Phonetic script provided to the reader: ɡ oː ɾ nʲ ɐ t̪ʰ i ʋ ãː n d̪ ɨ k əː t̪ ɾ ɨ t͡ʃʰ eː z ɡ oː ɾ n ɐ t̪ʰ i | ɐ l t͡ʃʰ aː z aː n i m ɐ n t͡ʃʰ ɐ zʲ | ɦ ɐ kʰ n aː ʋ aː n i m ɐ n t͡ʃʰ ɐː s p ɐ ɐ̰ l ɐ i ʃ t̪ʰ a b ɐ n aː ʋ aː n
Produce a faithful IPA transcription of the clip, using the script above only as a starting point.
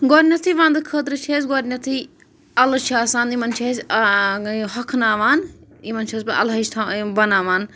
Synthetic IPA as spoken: ɡ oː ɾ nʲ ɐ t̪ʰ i ʋ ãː n d̪ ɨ kʰ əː t̪ ɾ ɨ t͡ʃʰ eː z ɡ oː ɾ n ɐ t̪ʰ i | ɐ l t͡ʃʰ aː s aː n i m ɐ n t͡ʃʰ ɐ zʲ | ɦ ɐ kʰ n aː ʋ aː n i m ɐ n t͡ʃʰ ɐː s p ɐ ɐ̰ l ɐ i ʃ t̪ʰ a b ɐ n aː ʋ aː n